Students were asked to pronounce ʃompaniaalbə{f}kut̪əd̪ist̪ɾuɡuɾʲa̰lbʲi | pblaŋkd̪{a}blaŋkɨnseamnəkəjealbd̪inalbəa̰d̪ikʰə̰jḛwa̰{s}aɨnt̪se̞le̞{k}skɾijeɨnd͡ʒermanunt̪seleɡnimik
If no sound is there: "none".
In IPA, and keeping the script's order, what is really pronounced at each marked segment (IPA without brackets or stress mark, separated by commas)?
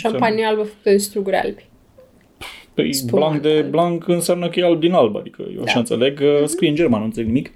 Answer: f, e, ʃ, ɡ